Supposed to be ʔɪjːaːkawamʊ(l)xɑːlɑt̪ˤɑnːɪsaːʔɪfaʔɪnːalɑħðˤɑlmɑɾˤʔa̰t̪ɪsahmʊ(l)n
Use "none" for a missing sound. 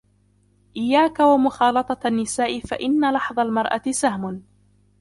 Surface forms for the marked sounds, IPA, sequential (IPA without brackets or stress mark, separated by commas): none, none